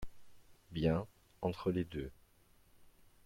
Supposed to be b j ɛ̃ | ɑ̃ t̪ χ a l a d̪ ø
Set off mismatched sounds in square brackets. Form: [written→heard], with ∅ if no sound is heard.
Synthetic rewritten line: b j ɛ̃ | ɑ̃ t̪ χ [a→ə] l [a→e] d̪ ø